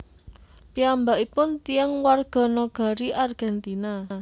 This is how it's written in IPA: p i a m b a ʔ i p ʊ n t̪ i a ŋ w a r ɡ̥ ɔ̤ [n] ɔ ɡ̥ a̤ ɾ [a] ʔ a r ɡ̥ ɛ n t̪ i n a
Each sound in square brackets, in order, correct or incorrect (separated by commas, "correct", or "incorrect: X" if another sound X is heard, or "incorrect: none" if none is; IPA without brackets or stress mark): correct, incorrect: i